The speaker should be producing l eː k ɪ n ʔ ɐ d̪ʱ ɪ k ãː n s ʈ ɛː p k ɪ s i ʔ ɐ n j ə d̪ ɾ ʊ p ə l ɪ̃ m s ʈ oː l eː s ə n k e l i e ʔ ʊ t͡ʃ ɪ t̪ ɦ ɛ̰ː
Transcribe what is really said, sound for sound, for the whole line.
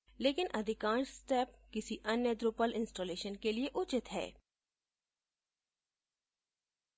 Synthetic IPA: l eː k ɪ n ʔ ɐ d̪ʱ ɪ k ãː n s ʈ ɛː p k ɪ s i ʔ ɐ n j ə d̪ ɾ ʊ p ə l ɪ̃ n s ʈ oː l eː ʃ ə n k e l i e ʔ ʊ t͡ʃ ɪ t̪ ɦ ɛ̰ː